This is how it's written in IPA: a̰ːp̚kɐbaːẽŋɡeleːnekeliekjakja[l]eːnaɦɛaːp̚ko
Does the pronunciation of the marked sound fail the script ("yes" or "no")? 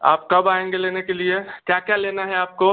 no